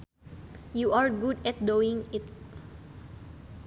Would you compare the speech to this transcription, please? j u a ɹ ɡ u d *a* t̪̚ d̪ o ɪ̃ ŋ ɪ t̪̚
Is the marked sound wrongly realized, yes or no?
yes